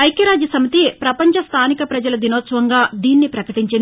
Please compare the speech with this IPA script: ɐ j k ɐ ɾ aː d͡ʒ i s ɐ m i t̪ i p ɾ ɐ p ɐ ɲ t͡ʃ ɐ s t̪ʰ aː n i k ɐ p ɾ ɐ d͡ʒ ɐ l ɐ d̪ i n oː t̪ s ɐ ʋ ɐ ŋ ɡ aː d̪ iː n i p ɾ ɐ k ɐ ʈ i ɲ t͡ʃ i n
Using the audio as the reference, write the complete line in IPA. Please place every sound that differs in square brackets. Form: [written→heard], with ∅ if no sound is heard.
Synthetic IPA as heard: ɐ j k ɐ ɾ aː d͡ʒ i s ɐ m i t̪ i p ɾ ɐ p ɐ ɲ t͡ʃ ɐ s t̪ʰ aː n i k ɐ p ɾ ɐ d͡ʒ ɐ l ɐ d̪ i n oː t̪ s ɐ ʋ ɐ ŋ ɡ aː d̪ iː [n→nː] i p ɾ ɐ k ɐ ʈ i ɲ t͡ʃ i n